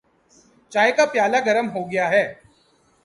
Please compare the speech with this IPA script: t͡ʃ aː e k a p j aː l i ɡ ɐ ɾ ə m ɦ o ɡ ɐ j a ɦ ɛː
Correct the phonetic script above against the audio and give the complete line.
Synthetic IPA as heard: t͡ʃ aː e k a p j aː l a ɡ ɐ ɾ ə m ɦ o ɡ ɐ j a ɦ ɛː